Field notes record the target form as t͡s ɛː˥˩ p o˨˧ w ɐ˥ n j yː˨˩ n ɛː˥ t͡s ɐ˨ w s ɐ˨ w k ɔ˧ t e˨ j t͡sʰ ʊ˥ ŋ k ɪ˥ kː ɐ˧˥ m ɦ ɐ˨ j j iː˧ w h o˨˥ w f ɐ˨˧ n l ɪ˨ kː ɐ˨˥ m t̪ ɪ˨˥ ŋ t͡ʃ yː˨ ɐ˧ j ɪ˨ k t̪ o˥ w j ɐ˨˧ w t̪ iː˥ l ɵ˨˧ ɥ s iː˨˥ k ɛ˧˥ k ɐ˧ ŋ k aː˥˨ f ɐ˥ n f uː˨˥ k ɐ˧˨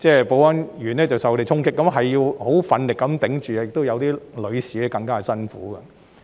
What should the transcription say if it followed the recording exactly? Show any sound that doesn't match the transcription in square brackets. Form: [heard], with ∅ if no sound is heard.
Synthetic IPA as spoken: t͡s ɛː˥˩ p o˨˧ w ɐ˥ n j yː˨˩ n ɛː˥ t͡s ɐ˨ w s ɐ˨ w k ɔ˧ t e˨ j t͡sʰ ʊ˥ ŋ k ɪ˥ kː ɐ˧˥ m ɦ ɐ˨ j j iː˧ w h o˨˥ w f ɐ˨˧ n l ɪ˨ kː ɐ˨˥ m t̪ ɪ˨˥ ŋ t͡ʃ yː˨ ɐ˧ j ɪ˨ k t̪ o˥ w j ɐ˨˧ w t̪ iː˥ l ɵ˨˧ ɥ s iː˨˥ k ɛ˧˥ k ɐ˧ ŋ k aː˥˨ [s] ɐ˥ n f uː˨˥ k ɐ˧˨